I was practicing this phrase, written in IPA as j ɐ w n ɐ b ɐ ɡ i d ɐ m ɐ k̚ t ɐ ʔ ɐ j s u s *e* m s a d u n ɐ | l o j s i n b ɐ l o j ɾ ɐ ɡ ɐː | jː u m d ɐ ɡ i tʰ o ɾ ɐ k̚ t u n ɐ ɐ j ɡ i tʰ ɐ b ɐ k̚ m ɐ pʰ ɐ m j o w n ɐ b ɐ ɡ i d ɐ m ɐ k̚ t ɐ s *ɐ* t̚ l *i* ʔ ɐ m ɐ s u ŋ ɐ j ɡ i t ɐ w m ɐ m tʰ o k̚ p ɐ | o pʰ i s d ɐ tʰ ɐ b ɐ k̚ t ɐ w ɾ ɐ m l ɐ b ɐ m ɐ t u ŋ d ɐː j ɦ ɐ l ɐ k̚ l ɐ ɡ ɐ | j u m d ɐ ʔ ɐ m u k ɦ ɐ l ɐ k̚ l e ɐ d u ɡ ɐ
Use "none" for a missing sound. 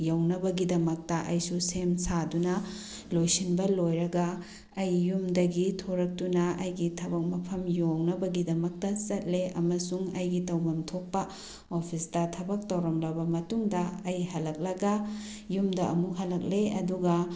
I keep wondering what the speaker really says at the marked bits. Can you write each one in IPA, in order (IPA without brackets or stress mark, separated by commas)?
e, ɐ, e